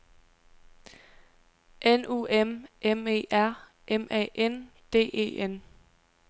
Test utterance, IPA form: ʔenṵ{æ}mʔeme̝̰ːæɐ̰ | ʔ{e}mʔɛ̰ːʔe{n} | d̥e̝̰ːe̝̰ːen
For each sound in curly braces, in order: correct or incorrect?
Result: incorrect: e, correct, correct

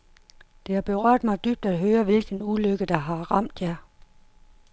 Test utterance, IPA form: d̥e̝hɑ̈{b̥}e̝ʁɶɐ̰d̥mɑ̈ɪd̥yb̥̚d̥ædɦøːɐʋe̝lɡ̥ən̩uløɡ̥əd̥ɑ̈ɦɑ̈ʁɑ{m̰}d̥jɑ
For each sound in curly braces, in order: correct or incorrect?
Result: correct, correct

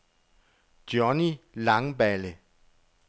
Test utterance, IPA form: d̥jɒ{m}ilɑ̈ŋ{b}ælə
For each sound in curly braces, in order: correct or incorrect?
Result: incorrect: n, correct

